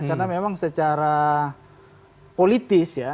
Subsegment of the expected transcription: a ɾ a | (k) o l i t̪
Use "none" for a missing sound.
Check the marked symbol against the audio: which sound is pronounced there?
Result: p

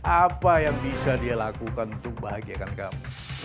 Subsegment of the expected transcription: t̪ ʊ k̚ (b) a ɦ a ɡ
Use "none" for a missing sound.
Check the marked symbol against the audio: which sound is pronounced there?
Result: b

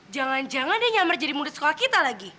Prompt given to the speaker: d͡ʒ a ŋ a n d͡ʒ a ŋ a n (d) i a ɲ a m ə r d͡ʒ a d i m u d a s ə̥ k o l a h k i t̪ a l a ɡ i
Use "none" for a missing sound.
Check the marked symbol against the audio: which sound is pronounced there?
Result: d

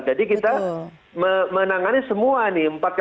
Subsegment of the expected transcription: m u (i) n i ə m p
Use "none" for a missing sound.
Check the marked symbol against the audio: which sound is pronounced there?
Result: a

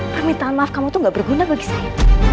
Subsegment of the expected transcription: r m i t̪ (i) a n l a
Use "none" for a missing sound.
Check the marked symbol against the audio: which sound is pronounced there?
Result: a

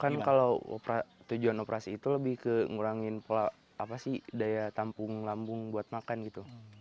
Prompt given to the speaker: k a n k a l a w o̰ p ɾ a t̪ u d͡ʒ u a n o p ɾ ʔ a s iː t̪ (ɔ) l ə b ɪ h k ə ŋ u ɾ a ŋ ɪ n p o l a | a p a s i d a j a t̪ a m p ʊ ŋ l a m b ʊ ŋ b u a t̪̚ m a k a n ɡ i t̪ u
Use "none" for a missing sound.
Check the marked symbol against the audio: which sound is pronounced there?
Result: u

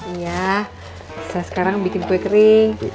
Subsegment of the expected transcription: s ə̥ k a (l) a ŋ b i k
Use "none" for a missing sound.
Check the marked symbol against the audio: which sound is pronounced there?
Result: ɾ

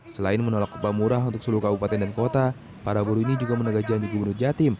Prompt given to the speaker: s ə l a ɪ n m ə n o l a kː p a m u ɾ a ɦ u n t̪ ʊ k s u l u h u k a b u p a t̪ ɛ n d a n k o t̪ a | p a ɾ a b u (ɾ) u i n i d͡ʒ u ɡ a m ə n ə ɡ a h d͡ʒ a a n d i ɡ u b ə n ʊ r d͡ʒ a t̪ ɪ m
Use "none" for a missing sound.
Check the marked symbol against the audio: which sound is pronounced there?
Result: ɾ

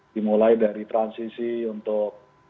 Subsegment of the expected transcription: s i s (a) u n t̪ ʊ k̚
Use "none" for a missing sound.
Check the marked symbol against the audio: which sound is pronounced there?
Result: i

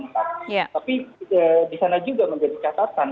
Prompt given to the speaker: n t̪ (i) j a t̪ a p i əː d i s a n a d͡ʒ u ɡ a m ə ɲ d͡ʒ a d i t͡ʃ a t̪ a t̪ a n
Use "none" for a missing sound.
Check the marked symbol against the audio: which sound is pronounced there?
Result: a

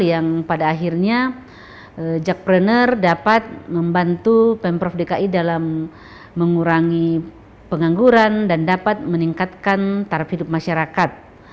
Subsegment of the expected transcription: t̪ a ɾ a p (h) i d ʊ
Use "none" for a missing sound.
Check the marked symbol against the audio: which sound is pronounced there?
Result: h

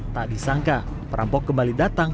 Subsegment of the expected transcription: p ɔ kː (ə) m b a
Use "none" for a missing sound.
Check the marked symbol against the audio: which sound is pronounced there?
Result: ə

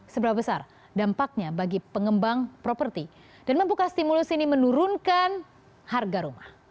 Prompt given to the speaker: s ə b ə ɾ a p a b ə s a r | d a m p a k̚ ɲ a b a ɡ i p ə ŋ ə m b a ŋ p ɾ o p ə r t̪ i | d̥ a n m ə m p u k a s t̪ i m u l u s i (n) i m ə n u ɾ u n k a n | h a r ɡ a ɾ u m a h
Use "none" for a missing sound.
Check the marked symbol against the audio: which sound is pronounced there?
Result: n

